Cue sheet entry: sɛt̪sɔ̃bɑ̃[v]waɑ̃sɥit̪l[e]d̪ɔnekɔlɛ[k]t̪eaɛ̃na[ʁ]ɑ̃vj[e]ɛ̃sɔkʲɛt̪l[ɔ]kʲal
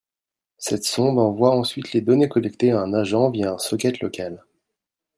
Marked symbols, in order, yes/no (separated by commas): yes, yes, yes, no, no, yes